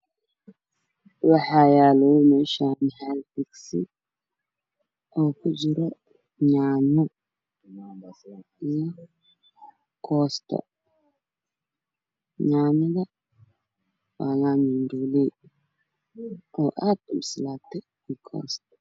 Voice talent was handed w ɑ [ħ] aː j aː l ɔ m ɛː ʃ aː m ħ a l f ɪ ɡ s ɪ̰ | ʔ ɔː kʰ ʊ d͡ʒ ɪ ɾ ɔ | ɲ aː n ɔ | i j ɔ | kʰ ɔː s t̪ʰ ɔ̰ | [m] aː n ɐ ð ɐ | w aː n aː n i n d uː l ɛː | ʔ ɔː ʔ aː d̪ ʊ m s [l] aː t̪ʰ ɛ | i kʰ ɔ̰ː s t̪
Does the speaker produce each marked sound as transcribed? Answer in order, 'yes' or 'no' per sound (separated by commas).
yes, no, yes